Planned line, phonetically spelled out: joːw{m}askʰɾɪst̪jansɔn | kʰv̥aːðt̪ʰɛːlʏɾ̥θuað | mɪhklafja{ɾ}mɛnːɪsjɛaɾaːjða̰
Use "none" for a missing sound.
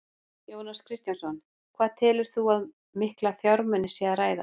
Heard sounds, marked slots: n, ɾ

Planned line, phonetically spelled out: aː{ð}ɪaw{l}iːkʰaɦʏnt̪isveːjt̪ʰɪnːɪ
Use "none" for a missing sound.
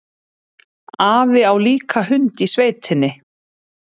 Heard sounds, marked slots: v, l

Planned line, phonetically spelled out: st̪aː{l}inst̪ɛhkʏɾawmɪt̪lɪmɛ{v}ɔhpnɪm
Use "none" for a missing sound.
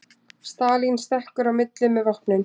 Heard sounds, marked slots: l, v

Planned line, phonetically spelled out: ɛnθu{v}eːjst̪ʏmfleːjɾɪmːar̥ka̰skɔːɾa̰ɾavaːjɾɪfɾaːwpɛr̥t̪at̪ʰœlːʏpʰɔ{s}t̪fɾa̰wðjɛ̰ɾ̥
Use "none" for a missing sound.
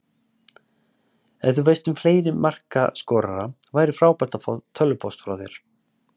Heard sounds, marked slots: v, s

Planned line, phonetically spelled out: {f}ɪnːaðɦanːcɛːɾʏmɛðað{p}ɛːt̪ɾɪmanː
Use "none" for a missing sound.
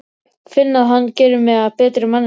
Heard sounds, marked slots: f, p

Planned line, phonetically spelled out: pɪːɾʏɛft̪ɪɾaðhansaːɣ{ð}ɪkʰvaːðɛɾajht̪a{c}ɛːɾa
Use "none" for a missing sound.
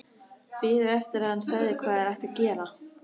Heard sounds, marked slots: ð, c

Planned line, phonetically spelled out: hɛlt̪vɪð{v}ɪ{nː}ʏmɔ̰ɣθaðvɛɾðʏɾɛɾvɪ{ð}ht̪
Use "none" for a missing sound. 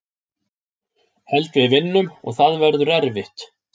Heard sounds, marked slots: v, nː, none

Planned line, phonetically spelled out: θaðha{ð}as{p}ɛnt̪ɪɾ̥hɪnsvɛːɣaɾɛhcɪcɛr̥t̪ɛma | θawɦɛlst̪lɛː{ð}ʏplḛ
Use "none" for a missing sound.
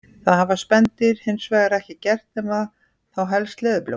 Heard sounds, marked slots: v, p, ð

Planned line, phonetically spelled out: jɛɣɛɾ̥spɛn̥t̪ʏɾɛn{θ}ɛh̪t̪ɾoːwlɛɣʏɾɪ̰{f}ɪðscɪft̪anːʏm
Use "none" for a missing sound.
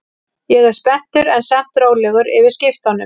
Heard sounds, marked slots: s, v

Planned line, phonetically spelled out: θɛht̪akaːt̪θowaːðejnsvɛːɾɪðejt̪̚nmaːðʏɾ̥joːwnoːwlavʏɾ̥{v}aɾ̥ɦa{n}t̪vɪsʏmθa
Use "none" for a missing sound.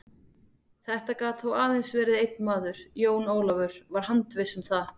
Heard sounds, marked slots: v, n

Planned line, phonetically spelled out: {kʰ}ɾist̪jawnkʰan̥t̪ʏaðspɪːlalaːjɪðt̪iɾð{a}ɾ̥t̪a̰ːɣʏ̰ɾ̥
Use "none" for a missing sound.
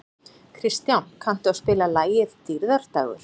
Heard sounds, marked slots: kʰ, a

